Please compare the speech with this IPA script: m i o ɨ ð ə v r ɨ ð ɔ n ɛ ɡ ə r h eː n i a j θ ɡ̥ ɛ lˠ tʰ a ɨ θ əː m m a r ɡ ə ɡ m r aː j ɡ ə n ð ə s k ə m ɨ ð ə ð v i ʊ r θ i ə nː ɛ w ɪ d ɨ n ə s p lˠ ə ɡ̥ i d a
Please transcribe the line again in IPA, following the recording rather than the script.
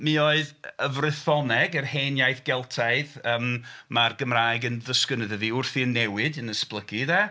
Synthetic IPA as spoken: m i o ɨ ð ə v r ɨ θ ɔ n ɛ ɡ ə r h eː n j a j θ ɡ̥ ɛ lˠ tʰ a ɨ ð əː m m a r ɡ ə m r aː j ɡ ə n ð ə s k ə n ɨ ð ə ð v i ʊ r θ i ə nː ɛ w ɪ d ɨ n ə s p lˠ ə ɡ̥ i d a

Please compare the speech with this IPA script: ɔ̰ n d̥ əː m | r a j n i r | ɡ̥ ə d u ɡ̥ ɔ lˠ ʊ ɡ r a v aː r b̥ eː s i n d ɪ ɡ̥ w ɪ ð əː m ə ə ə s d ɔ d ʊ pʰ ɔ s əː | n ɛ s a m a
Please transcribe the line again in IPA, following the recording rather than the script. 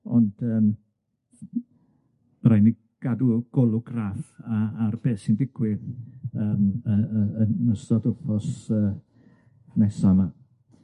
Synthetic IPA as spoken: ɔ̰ n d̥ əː m | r a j n i | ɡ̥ a d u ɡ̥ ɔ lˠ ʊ ɡ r a f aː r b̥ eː s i n d ɪ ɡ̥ w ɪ ð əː m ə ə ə s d ɔ d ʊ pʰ ɔ s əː | n ɛ s a m a

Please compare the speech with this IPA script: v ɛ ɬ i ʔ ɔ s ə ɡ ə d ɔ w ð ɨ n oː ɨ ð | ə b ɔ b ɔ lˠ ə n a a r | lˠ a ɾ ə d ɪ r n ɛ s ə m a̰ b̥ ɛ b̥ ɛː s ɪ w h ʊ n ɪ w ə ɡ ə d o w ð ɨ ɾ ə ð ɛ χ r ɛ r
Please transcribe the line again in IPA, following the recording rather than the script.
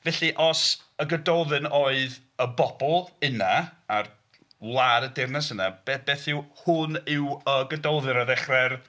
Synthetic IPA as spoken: v ɛ ɬ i ʔ ɔ s ə ɡ ə d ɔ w ð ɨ n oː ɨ ð | ə b ɔ b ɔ lˠ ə n a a r | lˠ a ɾ ə d ɪ r n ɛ s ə n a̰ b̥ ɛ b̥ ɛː θ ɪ w h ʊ n ɪ w ə ɡ ə d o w ð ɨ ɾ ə ð ɛ χ r ɛ r

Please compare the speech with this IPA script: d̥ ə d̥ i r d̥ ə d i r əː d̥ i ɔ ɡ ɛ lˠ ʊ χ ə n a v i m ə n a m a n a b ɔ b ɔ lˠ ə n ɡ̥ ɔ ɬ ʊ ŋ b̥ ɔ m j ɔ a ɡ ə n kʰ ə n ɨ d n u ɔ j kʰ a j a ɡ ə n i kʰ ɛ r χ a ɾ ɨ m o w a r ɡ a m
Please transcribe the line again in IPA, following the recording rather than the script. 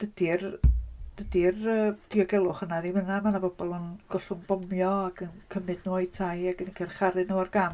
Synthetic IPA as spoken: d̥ ə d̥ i r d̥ ə d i r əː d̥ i ɔ ɡ ɛ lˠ ʊ χ ə n a ð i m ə n a m a n a b ɔ b ɔ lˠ ə n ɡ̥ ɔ ɬ ʊ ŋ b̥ ɔ m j ɔ a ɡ ə n kʰ ə m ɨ d n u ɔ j tʰ a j a ɡ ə n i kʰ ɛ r χ a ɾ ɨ n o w a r ɡ a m

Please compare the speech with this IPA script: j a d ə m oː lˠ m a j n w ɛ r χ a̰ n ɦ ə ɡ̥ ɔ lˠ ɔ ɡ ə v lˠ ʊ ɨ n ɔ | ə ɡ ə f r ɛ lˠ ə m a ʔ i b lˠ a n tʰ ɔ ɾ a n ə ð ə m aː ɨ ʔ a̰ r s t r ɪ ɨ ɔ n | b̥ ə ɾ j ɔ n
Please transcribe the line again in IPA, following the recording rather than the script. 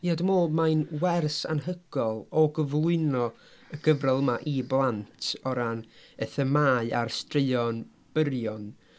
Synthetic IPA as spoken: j a d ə m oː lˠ m a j n w ɛ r s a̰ n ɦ ə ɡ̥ ɔ lˠ ɔ ɡ ə v lˠ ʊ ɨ n ɔ | ə ɡ ə v r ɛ lˠ ə m a ʔ i b lˠ a n tʰ ɔ ɾ a n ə θ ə m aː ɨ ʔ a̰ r s t r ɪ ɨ ɔ n | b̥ ə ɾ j ɔ n

